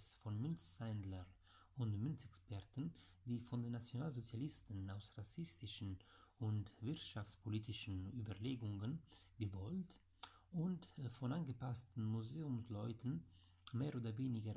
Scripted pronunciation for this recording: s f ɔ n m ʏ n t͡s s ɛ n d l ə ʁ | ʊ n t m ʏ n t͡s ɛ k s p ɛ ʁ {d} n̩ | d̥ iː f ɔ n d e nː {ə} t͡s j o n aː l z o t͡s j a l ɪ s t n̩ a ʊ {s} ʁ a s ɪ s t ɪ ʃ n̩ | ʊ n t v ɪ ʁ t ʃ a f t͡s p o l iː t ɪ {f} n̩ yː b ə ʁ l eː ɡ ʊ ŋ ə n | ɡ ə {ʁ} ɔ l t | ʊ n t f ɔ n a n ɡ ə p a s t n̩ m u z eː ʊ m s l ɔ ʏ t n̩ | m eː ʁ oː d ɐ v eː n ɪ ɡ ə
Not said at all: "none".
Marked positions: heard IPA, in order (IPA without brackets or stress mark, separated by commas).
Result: t, a, s, ʃ, v